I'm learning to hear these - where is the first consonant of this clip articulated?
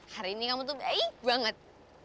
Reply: throat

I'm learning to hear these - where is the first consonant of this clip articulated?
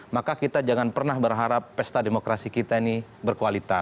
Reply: lips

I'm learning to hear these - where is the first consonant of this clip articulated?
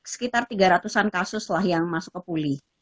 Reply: tongue tip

